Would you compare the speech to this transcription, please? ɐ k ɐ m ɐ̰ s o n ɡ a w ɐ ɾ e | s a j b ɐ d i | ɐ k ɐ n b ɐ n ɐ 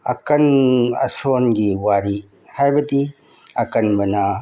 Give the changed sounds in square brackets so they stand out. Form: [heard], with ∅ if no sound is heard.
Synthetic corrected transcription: ɐ k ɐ [n] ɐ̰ s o n ɡ [i] w [a] ɾ [i] | [h] a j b ɐ d i | ɐ k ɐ n b ɐ n ɐ